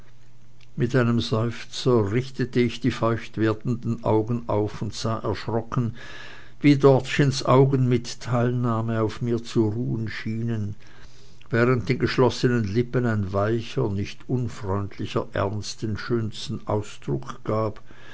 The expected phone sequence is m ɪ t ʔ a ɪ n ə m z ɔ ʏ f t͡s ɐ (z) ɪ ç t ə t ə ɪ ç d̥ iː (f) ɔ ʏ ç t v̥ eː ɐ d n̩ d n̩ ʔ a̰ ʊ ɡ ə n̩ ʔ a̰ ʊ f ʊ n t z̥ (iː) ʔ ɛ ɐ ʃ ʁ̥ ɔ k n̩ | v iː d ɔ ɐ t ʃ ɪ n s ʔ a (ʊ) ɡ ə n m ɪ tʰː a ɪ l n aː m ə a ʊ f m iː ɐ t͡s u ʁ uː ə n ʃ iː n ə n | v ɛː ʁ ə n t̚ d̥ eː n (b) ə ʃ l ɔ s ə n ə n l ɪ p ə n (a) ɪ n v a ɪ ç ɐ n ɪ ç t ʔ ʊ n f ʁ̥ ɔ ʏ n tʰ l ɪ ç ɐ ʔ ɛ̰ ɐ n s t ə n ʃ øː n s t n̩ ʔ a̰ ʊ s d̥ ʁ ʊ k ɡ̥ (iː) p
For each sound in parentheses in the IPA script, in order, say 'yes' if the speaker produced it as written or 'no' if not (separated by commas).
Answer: no, yes, no, yes, no, yes, no